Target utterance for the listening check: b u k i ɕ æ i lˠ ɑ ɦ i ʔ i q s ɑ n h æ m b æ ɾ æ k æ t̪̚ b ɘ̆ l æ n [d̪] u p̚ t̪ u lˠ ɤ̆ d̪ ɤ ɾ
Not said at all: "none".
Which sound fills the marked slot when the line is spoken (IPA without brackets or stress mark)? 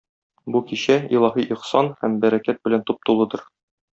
t̪